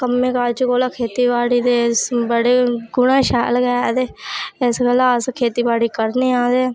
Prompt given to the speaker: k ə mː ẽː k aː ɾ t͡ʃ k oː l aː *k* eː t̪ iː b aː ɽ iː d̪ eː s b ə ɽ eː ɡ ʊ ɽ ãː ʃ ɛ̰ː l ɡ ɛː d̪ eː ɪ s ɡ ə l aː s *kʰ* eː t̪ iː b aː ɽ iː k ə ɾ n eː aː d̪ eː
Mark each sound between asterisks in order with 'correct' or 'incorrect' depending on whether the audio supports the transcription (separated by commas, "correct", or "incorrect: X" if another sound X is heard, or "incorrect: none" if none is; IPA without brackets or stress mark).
incorrect: kʰ, correct